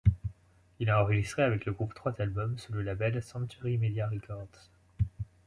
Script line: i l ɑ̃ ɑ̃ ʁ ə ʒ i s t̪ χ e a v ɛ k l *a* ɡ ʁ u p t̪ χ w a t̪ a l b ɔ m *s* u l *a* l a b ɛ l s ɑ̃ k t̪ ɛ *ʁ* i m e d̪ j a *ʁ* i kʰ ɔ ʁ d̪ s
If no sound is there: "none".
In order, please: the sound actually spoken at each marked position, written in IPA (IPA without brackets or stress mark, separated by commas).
ə, s, ə, ʁ, ʁ